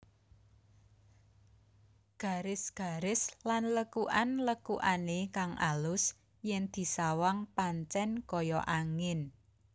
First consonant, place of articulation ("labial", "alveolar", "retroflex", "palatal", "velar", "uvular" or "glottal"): velar